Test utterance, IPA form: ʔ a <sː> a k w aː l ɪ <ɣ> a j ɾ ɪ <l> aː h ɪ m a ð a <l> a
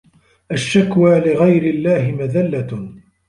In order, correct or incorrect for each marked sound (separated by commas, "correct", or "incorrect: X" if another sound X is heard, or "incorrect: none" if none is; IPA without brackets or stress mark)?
incorrect: ʃː, correct, incorrect: lː, incorrect: lː